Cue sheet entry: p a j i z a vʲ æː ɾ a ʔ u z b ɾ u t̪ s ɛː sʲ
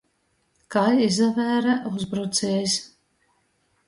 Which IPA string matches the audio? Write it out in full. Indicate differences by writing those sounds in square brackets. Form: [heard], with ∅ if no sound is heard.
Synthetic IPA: [k] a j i z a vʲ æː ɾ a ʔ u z b ɾ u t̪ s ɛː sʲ